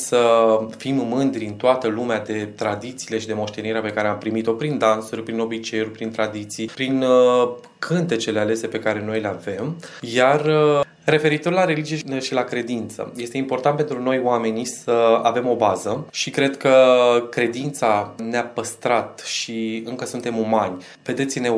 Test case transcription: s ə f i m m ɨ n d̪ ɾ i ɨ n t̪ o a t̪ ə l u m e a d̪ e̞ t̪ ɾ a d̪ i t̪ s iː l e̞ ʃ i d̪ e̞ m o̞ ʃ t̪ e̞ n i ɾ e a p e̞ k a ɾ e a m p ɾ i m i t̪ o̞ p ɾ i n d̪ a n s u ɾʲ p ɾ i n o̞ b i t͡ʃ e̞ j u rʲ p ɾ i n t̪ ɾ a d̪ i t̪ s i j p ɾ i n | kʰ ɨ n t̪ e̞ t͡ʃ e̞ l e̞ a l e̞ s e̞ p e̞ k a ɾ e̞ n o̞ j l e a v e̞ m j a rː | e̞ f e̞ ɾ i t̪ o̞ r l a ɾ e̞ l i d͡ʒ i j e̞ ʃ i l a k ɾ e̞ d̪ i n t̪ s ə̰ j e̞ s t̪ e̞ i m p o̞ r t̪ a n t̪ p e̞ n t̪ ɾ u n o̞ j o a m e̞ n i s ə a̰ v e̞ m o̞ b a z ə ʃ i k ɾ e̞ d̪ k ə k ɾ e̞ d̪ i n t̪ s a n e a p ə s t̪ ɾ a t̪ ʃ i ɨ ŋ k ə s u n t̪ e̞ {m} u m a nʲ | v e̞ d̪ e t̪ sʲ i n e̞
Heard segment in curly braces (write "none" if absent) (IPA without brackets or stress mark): m